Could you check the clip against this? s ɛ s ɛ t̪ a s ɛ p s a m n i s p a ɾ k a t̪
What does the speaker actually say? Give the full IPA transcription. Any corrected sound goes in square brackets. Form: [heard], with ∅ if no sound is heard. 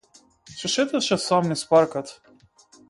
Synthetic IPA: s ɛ [ʃ] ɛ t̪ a [ʃ] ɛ [∅] s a m n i s p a ɾ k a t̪